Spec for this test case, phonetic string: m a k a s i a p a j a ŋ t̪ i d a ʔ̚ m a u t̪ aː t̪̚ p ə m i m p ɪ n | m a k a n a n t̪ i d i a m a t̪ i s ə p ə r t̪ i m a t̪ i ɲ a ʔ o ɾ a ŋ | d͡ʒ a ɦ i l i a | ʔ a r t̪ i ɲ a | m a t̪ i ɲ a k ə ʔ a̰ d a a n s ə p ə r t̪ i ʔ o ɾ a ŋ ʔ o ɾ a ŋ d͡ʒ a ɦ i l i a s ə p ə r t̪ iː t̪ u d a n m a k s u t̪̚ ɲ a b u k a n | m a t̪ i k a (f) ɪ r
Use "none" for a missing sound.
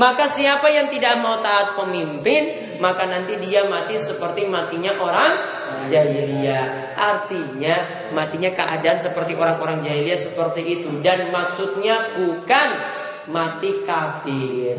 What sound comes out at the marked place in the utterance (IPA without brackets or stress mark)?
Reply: f